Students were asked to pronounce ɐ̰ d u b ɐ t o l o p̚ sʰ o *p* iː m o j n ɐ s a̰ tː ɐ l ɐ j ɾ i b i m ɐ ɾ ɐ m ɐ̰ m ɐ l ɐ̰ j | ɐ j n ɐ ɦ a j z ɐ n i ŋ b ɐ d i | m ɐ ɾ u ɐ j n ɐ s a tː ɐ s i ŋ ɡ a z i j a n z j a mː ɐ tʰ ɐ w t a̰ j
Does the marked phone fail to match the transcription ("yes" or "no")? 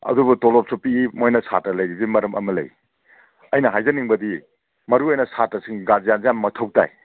no